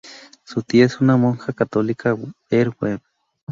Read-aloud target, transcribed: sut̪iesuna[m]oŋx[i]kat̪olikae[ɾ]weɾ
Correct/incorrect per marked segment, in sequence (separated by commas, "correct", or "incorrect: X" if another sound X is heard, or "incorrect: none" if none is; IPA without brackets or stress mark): correct, incorrect: a, correct